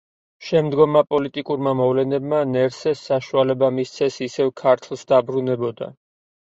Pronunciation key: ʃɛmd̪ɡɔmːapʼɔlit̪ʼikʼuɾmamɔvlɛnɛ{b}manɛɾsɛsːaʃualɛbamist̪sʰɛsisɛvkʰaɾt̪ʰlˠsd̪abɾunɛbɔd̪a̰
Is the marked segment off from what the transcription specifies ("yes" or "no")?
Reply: no